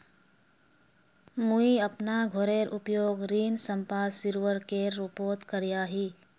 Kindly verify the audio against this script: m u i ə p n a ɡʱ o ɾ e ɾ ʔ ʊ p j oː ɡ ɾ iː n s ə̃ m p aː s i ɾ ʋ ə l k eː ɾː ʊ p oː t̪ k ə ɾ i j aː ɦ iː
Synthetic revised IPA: m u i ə p n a ɡʱ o ɾ e ɾ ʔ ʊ p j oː ɡ ɾ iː n s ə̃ m p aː s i ɾ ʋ ə ɾ k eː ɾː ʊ p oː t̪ k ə ɾ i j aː ɦ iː